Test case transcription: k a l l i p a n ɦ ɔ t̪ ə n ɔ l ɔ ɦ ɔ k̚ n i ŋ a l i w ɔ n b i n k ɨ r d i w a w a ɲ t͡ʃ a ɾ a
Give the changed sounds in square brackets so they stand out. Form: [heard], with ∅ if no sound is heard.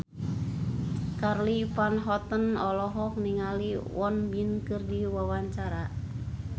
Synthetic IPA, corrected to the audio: k a [r] l i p a n ɦ ɔ t̪ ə n ɔ l ɔ ɦ ɔ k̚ n i ŋ a l i w ɔ n b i n k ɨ r d i w a w a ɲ t͡ʃ a ɾ a